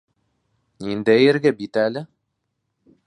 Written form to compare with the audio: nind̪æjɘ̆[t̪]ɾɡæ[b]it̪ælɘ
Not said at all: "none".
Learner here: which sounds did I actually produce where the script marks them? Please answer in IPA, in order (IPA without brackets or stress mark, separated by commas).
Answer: none, b